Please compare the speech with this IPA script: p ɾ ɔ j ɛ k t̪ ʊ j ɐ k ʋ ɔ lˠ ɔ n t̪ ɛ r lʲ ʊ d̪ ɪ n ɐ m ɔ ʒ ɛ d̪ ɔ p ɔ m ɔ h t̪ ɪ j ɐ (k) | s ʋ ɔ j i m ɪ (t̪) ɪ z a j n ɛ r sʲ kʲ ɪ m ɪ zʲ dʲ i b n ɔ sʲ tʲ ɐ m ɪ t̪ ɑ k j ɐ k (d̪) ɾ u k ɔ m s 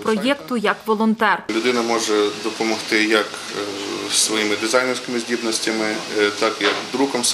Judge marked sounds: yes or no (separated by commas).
yes, no, yes